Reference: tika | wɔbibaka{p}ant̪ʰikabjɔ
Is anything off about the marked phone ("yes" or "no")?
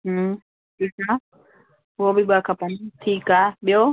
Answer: no